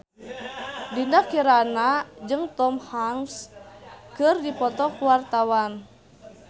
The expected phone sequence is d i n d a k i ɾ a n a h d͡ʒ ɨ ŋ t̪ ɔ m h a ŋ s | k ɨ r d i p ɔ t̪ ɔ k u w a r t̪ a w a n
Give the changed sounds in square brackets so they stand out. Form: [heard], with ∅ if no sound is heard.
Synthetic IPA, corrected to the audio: d i n d a k i ɾ a n a [∅] d͡ʒ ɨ ŋ t̪ ɔ m h a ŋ s | k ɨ r d i p ɔ t̪ ɔ k u w a r t̪ a w a n